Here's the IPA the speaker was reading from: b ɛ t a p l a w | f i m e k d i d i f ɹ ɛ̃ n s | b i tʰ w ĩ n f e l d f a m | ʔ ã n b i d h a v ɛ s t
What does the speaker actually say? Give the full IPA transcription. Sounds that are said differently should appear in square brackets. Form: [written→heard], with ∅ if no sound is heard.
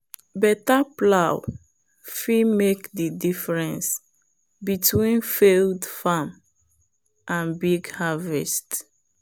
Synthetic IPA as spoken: b ɛ t a p l a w | f i m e k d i d i f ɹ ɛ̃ n s | b i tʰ w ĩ n f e l d f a m | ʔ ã n b i [d→ɡ] h a v ɛ s t